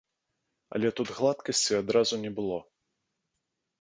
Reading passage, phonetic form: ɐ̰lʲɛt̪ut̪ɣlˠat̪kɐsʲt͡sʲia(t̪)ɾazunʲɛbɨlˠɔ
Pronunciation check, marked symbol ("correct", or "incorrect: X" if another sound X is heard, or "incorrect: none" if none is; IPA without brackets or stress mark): incorrect: d̪